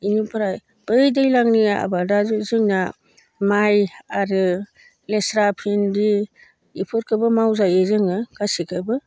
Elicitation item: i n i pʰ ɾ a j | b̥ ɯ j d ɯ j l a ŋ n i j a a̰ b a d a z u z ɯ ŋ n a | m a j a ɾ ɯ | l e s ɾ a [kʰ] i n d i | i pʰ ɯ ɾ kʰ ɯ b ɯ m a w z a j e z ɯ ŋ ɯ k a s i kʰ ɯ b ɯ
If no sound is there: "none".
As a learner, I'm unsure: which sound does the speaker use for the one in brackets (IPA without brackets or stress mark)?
pʰ